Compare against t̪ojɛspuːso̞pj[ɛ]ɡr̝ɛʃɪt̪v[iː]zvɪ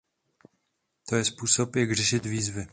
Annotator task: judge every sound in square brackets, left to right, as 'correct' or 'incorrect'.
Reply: incorrect, correct

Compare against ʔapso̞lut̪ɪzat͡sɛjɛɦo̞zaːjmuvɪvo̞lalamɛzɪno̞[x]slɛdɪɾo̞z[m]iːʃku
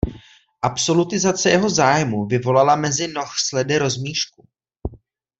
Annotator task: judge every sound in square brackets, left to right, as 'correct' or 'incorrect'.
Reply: correct, correct

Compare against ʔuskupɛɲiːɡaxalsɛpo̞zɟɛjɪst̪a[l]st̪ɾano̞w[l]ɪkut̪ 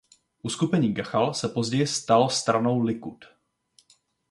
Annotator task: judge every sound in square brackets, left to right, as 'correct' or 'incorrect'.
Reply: correct, correct

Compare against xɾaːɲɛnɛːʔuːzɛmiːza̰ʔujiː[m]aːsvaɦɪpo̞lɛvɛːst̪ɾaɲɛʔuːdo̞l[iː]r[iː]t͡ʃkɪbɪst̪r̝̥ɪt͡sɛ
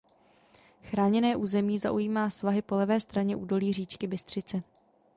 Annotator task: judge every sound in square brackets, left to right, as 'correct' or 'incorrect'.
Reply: correct, correct, correct

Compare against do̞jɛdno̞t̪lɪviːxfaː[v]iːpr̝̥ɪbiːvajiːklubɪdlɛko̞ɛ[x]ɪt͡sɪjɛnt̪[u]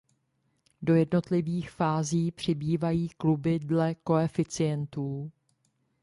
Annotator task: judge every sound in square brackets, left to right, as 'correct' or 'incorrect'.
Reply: incorrect, incorrect, incorrect

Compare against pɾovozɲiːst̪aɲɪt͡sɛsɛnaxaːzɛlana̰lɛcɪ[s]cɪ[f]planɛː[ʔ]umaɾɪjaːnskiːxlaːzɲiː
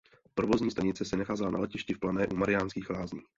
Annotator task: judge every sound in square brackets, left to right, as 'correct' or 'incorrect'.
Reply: incorrect, correct, correct

